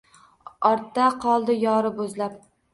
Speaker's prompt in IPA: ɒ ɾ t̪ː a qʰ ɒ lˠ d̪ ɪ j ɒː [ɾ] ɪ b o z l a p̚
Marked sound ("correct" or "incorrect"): correct